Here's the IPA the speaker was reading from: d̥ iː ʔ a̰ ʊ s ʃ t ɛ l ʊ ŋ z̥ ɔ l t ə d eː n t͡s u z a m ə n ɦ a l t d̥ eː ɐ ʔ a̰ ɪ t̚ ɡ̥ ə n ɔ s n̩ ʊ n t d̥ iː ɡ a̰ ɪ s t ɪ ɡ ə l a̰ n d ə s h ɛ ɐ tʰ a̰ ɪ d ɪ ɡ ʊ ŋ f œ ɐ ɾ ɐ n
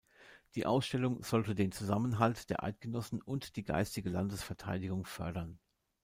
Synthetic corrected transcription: d̥ iː ʔ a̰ ʊ s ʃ t ɛ l ʊ ŋ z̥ ɔ l t ə d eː n t͡s u z a m ə n ɦ a l t d̥ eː ɐ ʔ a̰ ɪ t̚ ɡ̥ ə n ɔ s n̩ ʊ n t d̥ iː ɡ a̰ ɪ s t ɪ ɡ ə l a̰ n d ə s f ɛ ɐ tʰ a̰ ɪ d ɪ ɡ ʊ ŋ f œ ɐ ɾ ɐ n